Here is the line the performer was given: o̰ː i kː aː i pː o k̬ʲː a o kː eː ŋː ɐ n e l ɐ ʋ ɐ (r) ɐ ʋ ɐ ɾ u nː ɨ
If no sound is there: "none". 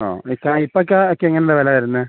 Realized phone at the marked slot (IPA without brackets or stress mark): l